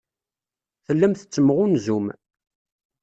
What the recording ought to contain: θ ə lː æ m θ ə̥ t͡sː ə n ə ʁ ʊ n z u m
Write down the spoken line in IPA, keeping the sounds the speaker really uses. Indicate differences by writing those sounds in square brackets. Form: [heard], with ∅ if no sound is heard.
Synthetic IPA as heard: θ ə lː æ m θ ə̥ t͡sː ə [m] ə ʁ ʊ n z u m